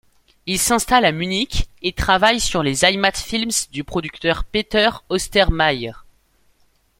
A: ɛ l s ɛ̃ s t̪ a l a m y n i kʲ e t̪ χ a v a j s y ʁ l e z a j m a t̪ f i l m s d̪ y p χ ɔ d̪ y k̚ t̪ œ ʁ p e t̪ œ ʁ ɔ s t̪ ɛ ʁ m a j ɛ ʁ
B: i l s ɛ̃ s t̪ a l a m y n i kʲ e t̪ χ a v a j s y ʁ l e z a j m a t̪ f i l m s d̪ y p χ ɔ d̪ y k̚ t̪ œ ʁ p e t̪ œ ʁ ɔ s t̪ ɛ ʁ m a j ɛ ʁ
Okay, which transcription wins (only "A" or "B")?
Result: B